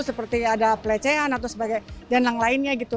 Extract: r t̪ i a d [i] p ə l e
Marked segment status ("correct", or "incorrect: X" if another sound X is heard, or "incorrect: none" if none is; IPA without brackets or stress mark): incorrect: a